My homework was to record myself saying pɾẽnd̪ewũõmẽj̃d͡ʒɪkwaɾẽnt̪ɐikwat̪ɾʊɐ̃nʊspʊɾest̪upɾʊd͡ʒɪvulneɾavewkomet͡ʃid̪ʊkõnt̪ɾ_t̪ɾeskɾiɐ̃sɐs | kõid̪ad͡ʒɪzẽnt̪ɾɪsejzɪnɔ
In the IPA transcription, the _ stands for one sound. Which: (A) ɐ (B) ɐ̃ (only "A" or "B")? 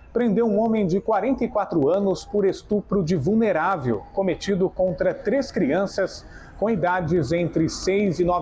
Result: A